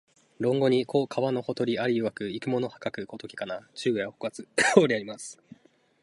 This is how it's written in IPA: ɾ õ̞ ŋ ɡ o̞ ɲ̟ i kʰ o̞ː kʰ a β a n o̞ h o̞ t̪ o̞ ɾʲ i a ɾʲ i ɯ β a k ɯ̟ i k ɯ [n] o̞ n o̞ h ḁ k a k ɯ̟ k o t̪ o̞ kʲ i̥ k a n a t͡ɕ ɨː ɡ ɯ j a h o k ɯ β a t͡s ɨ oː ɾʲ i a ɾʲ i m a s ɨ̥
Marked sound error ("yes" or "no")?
yes